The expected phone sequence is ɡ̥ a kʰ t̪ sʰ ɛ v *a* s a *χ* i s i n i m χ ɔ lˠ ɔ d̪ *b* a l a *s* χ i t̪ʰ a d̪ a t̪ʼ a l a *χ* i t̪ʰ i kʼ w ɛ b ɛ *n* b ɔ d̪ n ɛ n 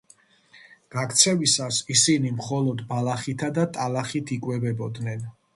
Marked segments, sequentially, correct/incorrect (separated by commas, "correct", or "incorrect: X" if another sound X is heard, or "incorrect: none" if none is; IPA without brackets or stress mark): incorrect: i, incorrect: s, correct, incorrect: none, correct, incorrect: none